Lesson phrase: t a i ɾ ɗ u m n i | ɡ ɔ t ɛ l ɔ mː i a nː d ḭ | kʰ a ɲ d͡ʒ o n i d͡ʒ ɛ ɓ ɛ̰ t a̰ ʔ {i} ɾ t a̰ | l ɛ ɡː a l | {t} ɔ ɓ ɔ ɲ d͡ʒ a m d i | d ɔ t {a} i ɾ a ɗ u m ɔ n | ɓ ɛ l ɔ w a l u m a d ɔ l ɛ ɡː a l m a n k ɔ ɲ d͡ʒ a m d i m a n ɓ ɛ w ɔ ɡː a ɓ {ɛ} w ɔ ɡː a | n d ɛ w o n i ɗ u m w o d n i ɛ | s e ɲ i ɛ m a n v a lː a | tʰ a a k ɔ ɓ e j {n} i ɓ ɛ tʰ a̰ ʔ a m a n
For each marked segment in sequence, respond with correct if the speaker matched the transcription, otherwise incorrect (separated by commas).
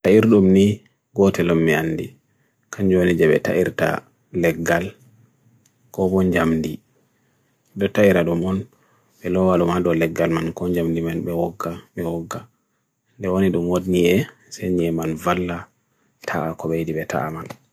correct, incorrect, correct, correct, incorrect